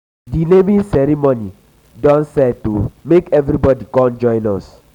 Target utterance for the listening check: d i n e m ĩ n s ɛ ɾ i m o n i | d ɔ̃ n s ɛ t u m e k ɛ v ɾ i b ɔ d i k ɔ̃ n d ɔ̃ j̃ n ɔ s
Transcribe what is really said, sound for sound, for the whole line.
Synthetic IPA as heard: d i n e m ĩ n s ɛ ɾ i m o n i | d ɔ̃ n s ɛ t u m e k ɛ v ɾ i b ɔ d i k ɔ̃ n d͡ʒ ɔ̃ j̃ n ɔ s